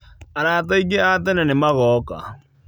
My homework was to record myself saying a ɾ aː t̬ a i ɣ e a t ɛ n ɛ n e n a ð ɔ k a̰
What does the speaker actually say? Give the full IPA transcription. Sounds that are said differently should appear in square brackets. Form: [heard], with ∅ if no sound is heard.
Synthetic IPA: a ɾ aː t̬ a i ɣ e a t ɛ n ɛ n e [m] a [ɣ] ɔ k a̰